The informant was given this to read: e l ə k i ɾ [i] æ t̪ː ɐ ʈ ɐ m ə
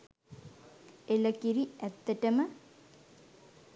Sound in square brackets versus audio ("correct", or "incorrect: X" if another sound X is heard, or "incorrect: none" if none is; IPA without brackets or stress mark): correct